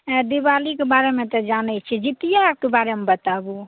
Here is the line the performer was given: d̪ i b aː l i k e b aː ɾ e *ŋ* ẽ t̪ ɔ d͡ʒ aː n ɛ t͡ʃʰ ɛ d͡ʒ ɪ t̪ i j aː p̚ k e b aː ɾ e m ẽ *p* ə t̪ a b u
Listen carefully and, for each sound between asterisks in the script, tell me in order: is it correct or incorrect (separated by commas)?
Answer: incorrect, incorrect